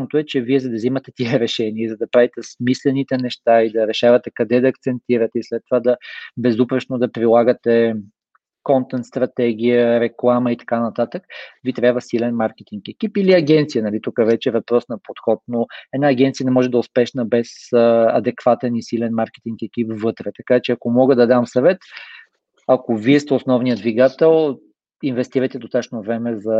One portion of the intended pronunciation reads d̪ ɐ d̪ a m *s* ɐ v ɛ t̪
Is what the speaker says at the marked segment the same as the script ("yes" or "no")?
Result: yes